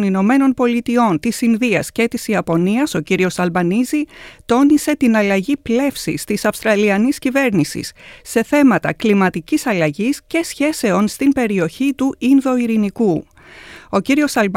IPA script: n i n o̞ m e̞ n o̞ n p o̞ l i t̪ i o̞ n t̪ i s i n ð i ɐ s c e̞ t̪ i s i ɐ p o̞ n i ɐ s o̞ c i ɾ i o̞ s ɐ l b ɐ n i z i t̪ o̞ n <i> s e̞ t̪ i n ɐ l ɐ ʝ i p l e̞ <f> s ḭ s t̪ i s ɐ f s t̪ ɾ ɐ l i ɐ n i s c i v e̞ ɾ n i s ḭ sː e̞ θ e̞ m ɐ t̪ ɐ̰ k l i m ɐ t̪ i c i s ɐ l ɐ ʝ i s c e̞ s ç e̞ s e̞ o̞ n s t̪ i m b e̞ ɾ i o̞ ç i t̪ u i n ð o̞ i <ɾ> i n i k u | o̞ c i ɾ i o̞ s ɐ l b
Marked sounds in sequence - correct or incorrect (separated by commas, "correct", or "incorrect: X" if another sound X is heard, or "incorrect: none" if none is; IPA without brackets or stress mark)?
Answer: correct, correct, correct